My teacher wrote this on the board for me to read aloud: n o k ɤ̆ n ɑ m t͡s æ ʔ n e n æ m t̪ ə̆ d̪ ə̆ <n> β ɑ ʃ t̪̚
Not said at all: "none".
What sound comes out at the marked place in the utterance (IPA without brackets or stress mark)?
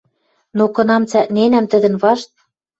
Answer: n